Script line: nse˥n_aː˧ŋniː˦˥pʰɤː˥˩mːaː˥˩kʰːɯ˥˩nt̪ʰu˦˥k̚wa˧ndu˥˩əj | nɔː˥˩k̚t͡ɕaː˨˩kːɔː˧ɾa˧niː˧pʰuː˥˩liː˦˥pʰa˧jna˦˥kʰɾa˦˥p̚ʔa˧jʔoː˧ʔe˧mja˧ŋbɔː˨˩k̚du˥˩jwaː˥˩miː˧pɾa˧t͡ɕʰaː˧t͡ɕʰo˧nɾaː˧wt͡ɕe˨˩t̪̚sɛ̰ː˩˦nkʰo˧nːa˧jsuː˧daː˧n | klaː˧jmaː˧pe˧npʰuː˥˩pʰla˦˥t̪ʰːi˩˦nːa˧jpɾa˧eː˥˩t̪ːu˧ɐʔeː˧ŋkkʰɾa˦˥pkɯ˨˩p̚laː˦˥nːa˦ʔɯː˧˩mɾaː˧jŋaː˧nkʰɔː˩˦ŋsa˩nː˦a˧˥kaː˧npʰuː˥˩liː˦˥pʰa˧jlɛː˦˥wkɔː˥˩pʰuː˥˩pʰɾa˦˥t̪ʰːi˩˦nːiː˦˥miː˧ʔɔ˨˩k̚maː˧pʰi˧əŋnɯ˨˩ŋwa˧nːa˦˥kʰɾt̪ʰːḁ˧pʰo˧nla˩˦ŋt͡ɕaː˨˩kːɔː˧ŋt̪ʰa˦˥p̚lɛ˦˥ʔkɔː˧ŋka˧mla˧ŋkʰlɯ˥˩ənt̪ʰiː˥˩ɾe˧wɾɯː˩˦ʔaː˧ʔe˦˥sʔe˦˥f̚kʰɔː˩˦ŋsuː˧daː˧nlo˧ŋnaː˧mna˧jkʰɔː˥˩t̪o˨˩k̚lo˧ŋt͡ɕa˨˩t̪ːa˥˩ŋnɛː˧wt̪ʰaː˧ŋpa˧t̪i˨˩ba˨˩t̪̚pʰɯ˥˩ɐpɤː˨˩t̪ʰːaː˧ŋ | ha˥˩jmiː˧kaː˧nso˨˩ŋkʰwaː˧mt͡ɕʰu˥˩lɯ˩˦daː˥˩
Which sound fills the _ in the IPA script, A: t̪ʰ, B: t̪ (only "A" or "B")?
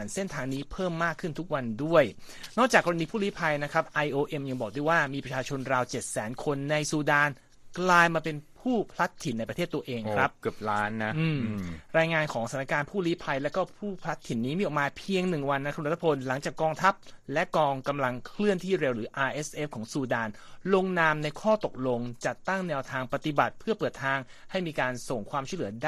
A